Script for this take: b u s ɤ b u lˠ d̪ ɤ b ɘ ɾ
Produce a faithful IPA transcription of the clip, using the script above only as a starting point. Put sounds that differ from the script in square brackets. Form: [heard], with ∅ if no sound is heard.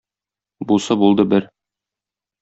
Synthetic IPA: b u s ɤ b u lˠ d̪ ɤ b ɘ ɾ